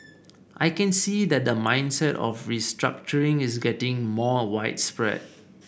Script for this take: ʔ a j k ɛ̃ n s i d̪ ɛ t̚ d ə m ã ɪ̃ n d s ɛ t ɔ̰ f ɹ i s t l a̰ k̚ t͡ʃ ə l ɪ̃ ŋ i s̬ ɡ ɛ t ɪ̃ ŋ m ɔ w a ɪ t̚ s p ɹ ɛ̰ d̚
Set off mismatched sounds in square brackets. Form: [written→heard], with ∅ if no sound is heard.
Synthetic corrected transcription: ʔ a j k ɛ̃ n s i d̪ ɛ t̚ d ə m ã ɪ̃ n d s ɛ t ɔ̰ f ɹ i s t [l→ɹ] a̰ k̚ t͡ʃ ə [l→ɹ] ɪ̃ ŋ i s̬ ɡ ɛ t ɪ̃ ŋ m ɔ w a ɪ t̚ s p ɹ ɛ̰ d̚

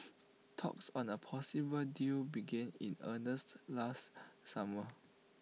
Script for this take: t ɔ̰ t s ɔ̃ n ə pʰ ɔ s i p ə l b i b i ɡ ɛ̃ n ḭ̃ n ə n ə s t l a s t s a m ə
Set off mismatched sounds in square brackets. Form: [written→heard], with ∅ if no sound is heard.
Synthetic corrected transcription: [t→tʰ] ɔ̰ [t→k] s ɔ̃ n ə pʰ ɔ s i [p→b] ə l [b→d] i b i ɡ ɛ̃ n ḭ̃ n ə n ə s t l a s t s a m ə

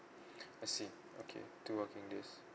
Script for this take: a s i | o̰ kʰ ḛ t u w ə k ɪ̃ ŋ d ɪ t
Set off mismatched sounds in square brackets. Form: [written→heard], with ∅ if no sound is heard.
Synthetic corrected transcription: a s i | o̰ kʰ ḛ t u w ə k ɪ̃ ŋ d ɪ [t→s]

